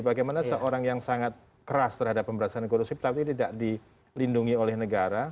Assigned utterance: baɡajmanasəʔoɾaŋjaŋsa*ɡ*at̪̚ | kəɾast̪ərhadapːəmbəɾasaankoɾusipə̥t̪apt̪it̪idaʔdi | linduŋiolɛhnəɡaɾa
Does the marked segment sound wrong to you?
yes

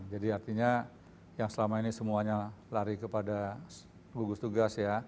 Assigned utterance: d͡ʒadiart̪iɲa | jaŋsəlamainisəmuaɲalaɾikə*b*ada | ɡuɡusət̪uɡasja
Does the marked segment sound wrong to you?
yes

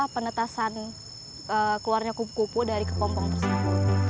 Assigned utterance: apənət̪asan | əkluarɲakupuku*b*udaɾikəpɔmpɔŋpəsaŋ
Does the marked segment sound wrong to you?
yes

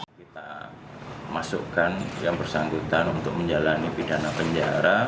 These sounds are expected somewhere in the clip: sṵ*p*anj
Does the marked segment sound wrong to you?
yes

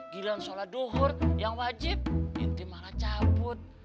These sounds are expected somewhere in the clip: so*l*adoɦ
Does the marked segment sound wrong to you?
no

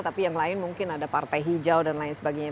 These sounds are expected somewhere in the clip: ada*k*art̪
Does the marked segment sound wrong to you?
yes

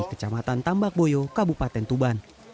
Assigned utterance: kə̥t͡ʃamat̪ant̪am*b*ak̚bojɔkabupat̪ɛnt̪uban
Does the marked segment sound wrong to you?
no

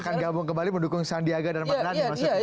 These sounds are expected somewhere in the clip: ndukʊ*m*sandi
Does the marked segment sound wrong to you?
yes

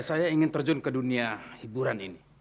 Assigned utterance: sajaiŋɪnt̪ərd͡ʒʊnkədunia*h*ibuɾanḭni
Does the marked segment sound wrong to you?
no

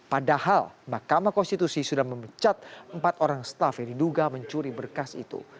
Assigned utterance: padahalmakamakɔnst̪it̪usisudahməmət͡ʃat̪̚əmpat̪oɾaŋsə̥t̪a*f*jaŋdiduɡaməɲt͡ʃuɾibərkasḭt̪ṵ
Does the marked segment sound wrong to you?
no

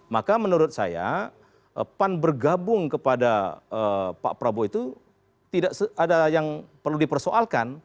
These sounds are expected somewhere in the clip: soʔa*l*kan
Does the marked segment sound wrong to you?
no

